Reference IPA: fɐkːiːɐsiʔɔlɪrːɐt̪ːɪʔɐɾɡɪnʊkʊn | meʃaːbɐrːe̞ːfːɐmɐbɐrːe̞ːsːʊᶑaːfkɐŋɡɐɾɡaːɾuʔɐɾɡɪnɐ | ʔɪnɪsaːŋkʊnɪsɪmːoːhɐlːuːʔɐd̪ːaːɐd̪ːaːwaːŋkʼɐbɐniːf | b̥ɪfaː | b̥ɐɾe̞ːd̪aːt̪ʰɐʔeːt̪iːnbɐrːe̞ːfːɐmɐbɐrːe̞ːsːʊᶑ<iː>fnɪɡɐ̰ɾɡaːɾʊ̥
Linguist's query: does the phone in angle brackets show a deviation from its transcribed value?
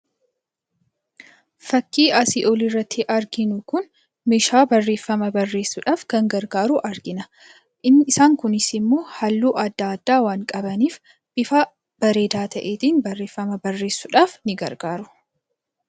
yes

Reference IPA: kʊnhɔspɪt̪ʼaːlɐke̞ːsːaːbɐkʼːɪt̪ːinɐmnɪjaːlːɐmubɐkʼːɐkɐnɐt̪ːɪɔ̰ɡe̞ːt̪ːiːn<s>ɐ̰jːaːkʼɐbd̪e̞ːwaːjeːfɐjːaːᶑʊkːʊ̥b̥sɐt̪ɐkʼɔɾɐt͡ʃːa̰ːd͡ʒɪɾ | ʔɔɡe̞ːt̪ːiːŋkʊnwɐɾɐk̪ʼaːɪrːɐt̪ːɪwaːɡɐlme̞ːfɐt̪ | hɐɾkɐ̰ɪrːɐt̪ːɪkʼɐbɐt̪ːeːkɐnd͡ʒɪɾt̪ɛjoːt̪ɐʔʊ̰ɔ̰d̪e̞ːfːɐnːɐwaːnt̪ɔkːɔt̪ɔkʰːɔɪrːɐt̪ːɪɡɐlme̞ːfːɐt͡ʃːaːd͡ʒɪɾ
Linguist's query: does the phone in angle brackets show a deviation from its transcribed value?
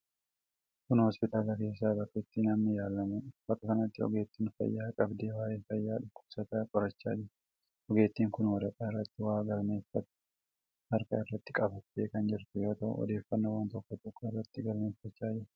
yes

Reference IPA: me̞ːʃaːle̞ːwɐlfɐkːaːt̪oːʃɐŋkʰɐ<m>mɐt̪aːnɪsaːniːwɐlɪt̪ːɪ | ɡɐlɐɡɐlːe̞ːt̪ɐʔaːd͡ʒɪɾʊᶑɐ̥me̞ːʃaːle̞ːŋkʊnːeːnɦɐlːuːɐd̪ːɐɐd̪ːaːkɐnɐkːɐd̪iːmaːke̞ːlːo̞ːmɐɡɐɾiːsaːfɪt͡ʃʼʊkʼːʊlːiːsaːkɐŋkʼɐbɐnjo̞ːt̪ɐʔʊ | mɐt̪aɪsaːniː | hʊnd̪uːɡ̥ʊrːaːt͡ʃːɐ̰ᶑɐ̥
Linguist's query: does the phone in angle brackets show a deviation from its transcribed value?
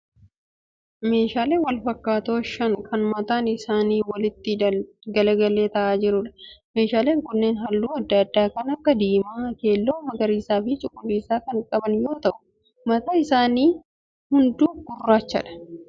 yes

